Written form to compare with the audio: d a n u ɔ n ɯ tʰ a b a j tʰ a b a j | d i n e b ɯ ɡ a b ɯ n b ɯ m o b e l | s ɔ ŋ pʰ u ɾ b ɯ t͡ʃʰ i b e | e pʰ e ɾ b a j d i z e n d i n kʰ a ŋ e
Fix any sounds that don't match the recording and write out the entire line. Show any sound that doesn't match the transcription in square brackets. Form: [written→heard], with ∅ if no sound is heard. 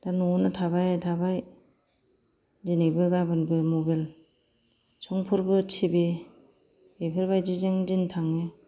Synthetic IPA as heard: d a n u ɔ n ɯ tʰ a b a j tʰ a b a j | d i n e b ɯ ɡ a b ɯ n b ɯ m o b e l | s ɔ ŋ pʰ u ɾ b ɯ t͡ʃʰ i b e | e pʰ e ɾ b a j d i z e [n→ŋ] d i n [kʰ→tʰ] a ŋ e